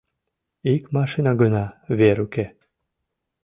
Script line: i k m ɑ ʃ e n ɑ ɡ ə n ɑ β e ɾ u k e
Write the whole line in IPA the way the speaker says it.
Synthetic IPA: i k m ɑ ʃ i n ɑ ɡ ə n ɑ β e ɾ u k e